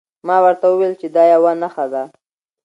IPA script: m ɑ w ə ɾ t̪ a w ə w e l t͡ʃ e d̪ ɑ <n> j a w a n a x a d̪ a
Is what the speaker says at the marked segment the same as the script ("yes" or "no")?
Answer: no